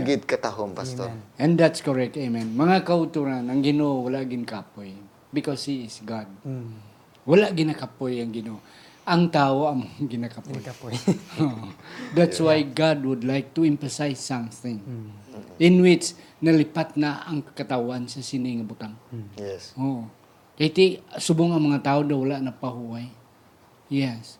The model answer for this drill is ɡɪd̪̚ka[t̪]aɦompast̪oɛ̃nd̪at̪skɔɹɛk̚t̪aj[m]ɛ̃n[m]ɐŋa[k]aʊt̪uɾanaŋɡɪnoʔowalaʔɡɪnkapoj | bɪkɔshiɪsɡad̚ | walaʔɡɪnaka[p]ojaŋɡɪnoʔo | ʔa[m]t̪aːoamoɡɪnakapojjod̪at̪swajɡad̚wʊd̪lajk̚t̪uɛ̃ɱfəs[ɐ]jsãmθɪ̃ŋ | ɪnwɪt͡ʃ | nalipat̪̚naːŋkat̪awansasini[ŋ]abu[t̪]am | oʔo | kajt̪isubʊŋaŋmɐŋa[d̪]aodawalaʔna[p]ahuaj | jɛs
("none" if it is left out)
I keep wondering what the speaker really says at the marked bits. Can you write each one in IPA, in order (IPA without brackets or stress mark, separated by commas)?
t̪, m, m, k, p, ŋ, a, ŋ, t̪, t̪, p